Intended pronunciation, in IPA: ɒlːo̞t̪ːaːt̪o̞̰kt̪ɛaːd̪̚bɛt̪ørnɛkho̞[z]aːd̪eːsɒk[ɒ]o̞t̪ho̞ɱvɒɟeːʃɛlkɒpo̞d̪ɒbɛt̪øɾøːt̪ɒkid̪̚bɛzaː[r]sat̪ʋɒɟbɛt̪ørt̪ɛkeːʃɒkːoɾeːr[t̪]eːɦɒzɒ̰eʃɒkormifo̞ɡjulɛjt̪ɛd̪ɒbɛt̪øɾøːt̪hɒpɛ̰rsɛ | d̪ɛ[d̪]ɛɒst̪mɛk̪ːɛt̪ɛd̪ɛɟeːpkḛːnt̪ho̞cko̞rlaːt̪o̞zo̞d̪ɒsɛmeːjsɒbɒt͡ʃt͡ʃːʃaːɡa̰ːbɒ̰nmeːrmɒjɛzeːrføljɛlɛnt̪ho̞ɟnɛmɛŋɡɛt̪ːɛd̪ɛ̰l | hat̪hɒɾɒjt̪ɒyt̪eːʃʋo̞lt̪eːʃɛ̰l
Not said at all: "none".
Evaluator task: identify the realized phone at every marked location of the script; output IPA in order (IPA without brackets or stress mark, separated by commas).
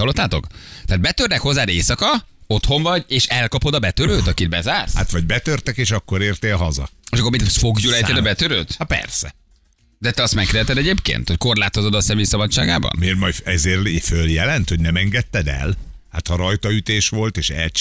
zː, ɒ, r, t̪, t̪